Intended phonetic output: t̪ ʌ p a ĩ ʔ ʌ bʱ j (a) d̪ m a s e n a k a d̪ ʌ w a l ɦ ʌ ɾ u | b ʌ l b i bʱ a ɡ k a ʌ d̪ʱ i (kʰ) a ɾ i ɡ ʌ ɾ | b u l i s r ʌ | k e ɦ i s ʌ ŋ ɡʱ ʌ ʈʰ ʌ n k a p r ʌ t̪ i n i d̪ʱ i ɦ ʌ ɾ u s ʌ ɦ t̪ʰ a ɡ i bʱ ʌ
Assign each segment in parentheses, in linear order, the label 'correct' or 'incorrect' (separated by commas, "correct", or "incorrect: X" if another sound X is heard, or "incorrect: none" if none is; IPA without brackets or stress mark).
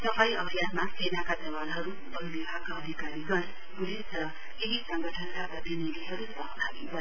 correct, incorrect: k